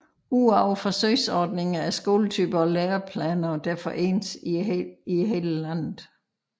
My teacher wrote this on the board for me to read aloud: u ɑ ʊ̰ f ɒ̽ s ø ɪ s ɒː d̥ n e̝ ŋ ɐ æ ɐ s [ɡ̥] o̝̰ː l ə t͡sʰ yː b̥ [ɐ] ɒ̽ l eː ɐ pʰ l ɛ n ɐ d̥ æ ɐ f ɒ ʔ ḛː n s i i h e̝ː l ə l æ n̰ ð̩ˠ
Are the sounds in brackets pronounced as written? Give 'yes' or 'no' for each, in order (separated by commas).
yes, yes